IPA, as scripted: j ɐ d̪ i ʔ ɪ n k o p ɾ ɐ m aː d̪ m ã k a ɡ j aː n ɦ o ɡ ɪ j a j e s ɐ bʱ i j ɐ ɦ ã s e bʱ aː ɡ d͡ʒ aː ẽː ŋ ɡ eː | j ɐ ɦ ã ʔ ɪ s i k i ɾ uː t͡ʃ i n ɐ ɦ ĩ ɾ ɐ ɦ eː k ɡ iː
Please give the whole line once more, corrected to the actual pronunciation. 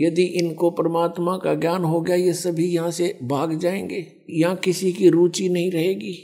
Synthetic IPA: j ɐ d̪ i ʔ ɪ n k o p ɾ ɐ m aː t̪ m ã k a ɡ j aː n ɦ o ɡ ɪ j a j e s ɐ bʱ i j ɐ ɦ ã s e bʱ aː ɡ d͡ʒ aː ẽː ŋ ɡ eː | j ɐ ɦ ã k ɪ s i k i ɾ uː t͡ʃ i n ɐ ɦ ĩ ɾ ɐ ɦ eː ɡ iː